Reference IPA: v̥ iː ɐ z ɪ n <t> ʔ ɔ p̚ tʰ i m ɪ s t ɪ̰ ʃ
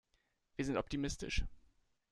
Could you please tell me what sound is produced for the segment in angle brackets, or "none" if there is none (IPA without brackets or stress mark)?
t